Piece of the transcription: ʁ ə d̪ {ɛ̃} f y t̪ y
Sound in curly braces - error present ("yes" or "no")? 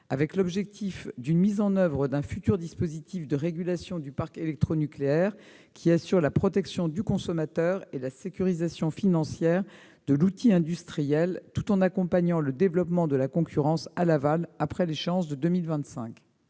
no